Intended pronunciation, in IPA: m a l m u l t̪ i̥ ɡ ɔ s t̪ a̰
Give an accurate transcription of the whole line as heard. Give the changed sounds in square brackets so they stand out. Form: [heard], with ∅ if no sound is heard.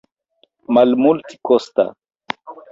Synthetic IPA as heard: m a l m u l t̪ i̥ [k] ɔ s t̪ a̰

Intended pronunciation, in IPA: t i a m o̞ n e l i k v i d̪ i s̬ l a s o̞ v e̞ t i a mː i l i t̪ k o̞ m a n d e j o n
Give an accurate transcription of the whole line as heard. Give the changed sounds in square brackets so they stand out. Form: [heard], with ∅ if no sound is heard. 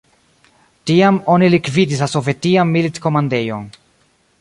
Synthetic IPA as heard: t i a m o̞ n [i] l i k v i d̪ i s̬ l a s o̞ v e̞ t i a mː i l i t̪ k o̞ m a n d e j o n

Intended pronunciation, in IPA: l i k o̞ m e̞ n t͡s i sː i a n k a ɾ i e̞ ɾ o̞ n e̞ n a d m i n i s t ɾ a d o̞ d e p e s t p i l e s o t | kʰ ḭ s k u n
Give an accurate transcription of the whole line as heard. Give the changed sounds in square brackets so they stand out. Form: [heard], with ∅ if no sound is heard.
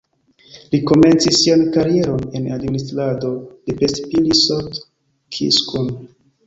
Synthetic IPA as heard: l i k o̞ m e̞ n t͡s i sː i a n k a ɾ i e̞ ɾ o̞ n e̞ n a d m i n i s t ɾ a d o̞ d e p e s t p i l [i] s o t | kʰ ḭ s k u n

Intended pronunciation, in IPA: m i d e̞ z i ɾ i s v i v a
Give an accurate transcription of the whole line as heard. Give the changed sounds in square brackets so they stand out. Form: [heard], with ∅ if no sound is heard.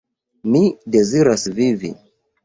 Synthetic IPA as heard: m i d e̞ z i ɾ [a] s v i v [i]

